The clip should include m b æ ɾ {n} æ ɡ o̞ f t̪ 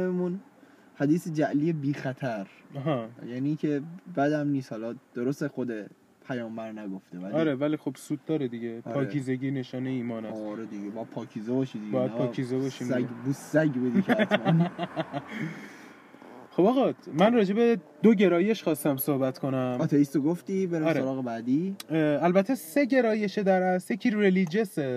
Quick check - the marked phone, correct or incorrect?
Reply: correct